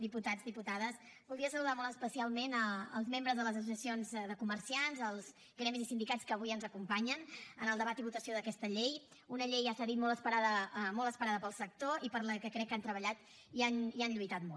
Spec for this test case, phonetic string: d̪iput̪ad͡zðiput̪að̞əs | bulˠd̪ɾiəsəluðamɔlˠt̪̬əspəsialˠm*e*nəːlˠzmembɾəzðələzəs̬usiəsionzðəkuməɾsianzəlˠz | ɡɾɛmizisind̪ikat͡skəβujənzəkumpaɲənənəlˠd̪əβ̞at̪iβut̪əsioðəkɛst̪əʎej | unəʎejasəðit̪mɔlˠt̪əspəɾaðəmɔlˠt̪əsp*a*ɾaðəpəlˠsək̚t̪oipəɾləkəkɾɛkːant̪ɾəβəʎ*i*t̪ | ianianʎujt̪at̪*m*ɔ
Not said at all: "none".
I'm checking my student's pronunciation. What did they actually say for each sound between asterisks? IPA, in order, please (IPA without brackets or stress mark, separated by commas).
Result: e, ə, a, m